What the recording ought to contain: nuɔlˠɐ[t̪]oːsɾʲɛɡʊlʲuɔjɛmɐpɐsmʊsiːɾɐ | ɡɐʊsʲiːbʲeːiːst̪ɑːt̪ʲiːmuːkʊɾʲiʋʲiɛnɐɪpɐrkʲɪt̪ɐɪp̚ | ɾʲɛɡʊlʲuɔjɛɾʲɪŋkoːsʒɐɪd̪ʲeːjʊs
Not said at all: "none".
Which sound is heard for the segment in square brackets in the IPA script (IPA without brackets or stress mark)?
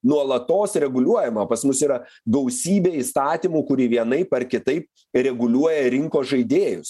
t̪